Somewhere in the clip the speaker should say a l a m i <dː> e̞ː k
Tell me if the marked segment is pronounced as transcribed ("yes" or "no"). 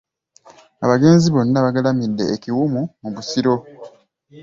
yes